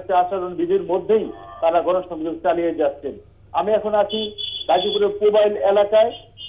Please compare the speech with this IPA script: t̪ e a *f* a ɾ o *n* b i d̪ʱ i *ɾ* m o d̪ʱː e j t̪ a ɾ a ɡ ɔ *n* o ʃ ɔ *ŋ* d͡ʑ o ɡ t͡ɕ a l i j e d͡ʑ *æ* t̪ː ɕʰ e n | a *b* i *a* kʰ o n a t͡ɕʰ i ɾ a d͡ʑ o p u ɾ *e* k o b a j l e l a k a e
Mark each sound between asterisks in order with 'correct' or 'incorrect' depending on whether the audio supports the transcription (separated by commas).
incorrect, correct, correct, correct, correct, incorrect, incorrect, incorrect, correct